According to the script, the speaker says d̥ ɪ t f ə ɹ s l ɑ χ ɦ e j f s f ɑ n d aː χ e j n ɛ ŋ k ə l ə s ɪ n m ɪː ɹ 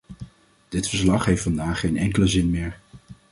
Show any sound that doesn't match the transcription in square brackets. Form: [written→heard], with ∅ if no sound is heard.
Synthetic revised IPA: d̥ ɪ t f ə ɹ s l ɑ χ ɦ e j f [s→t] f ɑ n d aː χ e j n ɛ ŋ k ə l ə [s→z] ɪ n m ɪː ɹ